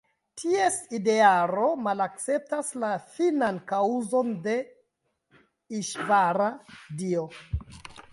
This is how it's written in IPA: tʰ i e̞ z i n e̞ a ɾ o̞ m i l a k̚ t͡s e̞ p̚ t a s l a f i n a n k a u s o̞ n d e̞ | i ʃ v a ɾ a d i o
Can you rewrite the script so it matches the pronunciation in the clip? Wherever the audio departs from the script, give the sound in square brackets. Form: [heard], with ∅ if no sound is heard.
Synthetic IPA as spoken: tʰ i e̞ [s] i [d] e̞ a ɾ o̞ m [a] l a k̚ t͡s e̞ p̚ t a s l a f i n a n k a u [z] o̞ n d e̞ | i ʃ v a ɾ a d i o